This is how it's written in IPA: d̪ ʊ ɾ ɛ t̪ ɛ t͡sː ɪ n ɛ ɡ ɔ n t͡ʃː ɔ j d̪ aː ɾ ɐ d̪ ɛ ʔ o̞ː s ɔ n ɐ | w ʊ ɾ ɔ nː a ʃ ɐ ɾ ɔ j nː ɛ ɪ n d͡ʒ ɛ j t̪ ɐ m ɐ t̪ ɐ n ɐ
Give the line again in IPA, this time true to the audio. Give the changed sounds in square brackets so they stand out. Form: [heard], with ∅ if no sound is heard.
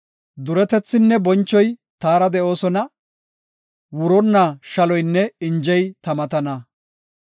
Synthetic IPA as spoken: d̪ ʊ ɾ ɛ t̪ ɛ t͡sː ɪ [nː] ɛ [b] ɔ n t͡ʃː ɔ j [t̪] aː ɾ ɐ d̪ ɛ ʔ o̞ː s ɔ n ɐ | w ʊ ɾ ɔ nː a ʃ ɐ [l] ɔ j nː ɛ ɪ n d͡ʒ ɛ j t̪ ɐ m ɐ t̪ ɐ n ɐ